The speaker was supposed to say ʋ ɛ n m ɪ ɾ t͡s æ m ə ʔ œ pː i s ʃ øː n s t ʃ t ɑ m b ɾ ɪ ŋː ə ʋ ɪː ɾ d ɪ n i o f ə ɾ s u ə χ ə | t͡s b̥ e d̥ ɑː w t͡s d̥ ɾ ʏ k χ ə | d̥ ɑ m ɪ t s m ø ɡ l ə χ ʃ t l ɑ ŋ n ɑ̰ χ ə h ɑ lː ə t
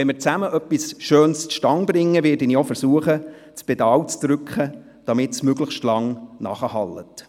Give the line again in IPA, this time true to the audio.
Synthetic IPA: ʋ ɛ n m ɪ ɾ t͡s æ m ə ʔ œ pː i s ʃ øː n s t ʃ t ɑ ŋ b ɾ ɪ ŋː ə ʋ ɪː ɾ d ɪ n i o f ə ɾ s u ə χ ə | t͡s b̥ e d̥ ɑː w t͡s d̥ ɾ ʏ k χ ə | d̥ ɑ m ɪ t s m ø ɡ l ə χ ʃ t l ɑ ŋ n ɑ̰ χ ə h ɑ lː ə t

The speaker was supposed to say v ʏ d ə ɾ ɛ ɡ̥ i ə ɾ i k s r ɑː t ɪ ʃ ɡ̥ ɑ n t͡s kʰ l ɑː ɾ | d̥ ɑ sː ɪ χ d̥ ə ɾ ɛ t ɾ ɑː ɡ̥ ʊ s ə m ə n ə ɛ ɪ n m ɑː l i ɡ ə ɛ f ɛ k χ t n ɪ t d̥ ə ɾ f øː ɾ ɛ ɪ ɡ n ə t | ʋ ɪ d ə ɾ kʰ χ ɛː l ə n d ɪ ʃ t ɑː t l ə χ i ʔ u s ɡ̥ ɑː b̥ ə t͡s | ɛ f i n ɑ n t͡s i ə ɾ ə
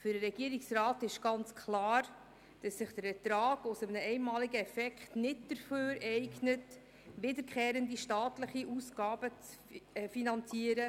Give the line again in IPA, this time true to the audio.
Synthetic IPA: f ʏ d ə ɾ ɛ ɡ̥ i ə ɾ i k s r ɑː t ɪ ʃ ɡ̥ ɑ n t͡s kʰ l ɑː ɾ | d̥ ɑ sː ɪ χ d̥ ə ɾ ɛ t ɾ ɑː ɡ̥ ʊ s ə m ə n ə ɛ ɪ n m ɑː l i ɡ ə ɛ f ɛ k χ t n ɪ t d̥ ə ɾ f øː ɾ ɛ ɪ ɡ n ə t | ʋ ɪ d ə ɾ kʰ χ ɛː ɾ ə n d i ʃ t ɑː t l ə χ i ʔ u s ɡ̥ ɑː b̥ ə t͡s | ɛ f i n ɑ n t͡s i ə ɾ ə

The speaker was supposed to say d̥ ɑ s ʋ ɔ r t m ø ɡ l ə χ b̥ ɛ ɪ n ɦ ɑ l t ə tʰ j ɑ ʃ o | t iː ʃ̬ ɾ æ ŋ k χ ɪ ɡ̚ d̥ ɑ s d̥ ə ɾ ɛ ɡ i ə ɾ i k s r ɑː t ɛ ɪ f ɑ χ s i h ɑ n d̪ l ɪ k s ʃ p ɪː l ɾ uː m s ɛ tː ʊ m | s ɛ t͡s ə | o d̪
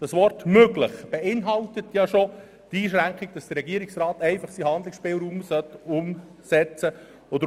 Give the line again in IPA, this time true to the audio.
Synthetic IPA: d̥ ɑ s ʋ ɔ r t m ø ɡ l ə χ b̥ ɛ ɪ n ɦ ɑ l t ə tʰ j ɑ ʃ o | t iː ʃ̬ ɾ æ ŋ k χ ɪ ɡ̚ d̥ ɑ s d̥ ə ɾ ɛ ɡ i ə ɾ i k s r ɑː t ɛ ɪ f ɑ χ s i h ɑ n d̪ l ɪ k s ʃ p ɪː l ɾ uː m s œ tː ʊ m | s ɛ t͡s ə | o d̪

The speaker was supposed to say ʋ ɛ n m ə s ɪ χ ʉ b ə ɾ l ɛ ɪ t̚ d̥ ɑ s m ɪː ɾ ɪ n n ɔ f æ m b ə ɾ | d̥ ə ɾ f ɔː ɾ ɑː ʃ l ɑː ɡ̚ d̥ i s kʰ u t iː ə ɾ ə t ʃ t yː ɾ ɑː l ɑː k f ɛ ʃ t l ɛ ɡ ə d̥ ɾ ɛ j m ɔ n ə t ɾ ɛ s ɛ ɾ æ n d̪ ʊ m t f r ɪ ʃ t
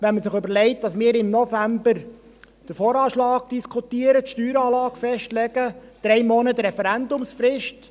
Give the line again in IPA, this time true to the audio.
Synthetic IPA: ʋ ɛ n m ə s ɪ χ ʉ b ə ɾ l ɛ ɪ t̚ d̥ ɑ s m ɪː ɾ ɪ m n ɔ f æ m b ə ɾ | d̥ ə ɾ f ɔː ɾ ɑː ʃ l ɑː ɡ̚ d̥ i s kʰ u t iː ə ɾ ə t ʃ t yː ɾ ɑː l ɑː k f ɛ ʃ t l ɛ ɡ ə d̥ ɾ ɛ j m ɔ n ə t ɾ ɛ f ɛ ɾ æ n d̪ ʊ m s f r ɪ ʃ t

